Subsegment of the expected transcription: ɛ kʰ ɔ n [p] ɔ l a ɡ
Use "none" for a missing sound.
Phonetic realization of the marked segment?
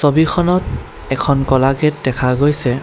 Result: k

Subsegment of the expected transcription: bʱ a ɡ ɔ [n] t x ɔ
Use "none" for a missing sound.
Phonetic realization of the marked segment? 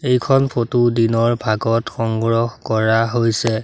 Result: none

